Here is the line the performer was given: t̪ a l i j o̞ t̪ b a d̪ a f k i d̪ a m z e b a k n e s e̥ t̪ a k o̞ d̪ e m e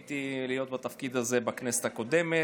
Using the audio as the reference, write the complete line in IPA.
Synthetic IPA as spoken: t̪ i l i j o̞ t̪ b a t̪ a f k i d̪ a z e b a k n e s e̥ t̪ a k o̞ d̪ e m e